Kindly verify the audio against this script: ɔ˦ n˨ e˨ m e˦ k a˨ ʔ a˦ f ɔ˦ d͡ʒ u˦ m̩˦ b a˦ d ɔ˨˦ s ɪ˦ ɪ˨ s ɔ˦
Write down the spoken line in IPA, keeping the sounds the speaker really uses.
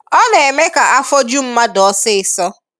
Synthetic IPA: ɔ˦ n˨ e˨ m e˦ k a˨ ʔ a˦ f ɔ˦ d͡ʒ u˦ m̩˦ m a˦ d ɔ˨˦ s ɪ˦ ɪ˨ s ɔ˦